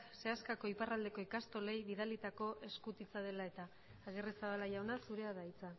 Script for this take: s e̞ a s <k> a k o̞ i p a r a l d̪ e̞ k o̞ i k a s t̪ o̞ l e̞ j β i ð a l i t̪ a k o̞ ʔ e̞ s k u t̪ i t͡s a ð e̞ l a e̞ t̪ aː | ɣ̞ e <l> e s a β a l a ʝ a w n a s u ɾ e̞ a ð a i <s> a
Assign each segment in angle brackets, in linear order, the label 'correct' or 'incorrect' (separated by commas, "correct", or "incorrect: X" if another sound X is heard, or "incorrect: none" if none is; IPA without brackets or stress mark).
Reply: correct, incorrect: r, incorrect: t͡s